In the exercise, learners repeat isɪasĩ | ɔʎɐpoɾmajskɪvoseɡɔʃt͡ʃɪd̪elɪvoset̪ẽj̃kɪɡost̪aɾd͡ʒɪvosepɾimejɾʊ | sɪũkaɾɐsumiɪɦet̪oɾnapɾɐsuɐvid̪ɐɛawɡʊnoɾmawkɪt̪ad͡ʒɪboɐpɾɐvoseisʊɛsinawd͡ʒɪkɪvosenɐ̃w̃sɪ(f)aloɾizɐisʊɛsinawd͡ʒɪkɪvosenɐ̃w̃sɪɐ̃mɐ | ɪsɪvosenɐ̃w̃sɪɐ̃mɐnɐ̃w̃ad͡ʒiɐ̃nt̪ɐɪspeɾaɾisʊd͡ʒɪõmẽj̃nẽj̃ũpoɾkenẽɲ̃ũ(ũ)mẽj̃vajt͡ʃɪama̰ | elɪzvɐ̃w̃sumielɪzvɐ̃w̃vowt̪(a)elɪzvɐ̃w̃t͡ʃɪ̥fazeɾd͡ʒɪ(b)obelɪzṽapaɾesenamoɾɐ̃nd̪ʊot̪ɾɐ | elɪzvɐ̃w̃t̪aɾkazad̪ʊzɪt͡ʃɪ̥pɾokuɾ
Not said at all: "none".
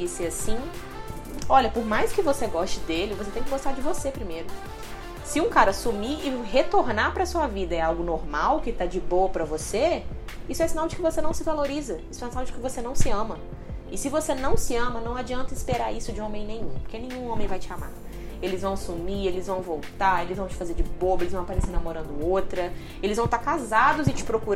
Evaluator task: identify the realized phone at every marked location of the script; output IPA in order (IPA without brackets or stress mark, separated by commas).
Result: v, õ, a, b